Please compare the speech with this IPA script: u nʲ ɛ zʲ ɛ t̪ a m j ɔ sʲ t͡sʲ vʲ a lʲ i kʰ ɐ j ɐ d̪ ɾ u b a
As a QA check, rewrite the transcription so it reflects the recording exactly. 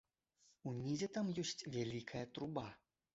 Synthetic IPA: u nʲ i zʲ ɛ t̪ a m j ɔ sʲ t͡sʲ vʲ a lʲ i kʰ ɐ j ɐ t̪ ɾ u b a